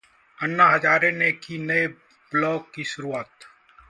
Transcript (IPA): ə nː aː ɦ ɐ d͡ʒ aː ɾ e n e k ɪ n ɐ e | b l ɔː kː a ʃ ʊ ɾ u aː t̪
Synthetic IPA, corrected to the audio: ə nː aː ɦ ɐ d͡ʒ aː ɾ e n e k i n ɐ e | b l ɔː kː i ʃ ʊ ɾ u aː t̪